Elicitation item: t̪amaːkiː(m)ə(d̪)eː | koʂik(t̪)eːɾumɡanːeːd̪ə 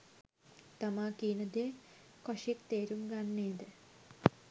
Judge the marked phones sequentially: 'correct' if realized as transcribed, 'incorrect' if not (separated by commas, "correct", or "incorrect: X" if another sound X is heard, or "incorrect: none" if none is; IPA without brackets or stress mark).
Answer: incorrect: n, correct, correct